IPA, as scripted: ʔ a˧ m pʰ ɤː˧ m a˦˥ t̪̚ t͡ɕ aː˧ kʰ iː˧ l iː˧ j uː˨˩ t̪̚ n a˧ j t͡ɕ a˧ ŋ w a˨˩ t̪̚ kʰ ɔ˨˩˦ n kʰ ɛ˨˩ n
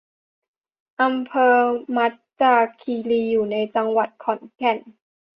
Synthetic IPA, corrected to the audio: ʔ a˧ m pʰ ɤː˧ m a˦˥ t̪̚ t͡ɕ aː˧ kʰ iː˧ l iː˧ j uː˨˩ n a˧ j t͡ɕ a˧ ŋ w a˨˩ t̪̚ kʰ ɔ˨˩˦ n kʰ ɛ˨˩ n